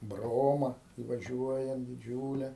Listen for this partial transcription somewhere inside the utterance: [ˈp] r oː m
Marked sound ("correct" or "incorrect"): incorrect